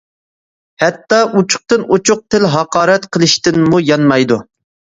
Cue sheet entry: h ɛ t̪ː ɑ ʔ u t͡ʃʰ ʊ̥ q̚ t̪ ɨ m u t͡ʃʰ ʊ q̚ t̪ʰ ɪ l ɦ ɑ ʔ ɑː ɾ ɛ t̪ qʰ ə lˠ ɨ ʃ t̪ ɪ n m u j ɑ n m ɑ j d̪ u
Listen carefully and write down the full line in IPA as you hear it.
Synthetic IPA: h ɛ t̪ː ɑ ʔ u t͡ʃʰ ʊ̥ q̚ t̪ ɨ n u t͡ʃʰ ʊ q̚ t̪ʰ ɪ l ɦ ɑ q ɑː ɾ ɛ t̪ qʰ ə lˠ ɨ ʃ t̪ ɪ n m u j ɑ n m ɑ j d̪ u